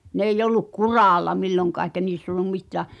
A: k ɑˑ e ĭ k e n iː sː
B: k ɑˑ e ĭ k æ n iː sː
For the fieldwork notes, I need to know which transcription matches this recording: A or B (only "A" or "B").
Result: B